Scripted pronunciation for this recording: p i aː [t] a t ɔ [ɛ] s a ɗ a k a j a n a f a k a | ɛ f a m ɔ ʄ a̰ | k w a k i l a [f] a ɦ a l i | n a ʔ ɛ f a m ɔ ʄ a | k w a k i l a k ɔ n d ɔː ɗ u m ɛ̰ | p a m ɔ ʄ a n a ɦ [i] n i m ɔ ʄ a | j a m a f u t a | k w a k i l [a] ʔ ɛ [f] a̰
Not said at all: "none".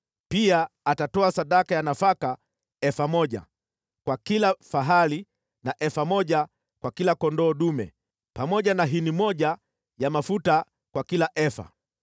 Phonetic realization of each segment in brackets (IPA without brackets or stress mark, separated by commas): t, a, f, i, a, f